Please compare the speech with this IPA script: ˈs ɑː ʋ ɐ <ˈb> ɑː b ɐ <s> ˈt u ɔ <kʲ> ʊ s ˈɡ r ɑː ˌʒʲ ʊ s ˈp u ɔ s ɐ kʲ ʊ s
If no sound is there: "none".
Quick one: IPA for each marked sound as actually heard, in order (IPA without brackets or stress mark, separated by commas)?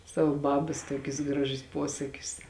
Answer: b, s, kʲ